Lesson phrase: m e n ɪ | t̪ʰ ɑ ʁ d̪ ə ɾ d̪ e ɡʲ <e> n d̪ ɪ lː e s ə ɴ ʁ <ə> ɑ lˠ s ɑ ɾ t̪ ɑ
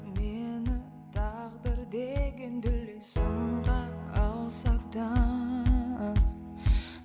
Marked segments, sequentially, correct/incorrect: correct, incorrect

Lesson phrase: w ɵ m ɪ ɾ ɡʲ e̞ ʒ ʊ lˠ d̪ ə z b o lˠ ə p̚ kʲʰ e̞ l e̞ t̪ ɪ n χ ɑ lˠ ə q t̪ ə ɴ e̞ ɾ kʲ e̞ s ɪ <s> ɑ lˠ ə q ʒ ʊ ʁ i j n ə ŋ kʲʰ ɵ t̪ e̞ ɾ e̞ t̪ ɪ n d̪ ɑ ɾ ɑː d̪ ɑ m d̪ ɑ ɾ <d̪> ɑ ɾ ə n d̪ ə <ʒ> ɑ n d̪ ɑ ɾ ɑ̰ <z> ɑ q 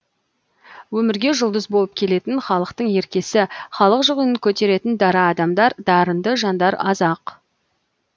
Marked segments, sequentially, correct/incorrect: incorrect, correct, correct, correct

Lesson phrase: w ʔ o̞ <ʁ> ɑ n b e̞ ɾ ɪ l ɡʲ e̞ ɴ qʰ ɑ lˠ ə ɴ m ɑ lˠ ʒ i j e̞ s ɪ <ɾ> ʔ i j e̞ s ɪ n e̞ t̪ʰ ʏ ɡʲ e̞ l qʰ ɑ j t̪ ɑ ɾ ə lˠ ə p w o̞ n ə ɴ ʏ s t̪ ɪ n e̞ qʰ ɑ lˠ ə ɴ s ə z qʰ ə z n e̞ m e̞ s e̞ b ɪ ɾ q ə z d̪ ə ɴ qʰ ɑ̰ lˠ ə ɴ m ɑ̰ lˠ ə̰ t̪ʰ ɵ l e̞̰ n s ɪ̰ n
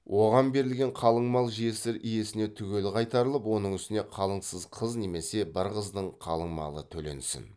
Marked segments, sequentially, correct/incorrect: correct, correct

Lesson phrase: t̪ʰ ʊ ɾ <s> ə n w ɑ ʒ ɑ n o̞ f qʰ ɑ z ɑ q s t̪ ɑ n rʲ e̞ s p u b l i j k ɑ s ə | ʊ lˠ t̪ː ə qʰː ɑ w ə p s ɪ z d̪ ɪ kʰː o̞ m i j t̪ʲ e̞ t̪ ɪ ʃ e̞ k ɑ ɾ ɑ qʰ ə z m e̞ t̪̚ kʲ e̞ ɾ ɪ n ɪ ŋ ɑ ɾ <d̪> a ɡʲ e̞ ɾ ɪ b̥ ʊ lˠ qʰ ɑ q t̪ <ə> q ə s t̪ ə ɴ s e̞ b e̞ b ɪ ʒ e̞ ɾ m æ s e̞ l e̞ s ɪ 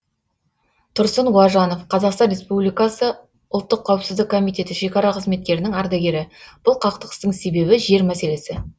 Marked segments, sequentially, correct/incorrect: correct, correct, correct

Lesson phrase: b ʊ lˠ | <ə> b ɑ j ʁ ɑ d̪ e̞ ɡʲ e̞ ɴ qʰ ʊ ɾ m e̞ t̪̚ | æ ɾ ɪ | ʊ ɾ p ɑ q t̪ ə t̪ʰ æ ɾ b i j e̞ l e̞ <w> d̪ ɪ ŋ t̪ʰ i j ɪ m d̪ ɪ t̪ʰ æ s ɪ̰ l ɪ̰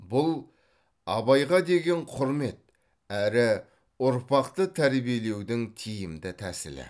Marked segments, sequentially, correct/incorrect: incorrect, correct

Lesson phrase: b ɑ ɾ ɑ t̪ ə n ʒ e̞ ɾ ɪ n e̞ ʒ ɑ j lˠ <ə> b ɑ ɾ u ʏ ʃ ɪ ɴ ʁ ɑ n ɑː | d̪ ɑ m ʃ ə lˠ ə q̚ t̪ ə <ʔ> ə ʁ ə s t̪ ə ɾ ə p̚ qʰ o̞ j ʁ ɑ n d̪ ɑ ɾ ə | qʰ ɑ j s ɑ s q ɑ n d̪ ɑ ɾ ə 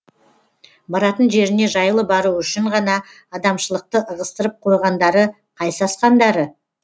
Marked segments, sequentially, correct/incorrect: correct, correct

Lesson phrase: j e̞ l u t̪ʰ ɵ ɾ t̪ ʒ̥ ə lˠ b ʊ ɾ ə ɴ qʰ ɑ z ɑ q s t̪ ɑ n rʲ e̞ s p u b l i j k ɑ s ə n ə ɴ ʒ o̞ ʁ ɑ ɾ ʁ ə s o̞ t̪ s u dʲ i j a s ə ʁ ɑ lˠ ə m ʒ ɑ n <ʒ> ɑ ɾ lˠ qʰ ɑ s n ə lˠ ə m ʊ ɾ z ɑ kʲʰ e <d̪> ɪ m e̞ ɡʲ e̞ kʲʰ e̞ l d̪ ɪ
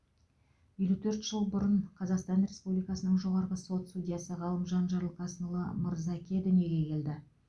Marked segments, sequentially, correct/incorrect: correct, correct

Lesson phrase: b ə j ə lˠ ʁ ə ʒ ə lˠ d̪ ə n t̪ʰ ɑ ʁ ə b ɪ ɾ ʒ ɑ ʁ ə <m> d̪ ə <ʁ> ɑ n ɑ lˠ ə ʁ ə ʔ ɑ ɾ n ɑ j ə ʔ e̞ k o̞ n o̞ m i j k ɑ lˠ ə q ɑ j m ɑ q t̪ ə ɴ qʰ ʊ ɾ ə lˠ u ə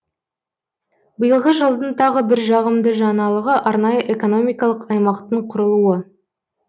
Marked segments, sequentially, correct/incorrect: correct, incorrect

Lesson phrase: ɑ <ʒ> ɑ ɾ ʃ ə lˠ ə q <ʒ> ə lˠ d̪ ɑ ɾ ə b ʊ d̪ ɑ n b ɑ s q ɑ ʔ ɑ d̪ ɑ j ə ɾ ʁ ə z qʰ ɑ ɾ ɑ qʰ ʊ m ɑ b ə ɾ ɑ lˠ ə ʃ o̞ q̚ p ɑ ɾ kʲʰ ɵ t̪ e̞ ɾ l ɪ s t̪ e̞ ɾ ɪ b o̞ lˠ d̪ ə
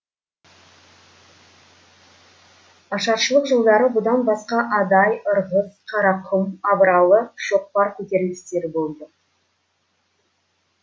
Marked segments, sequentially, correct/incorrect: incorrect, correct

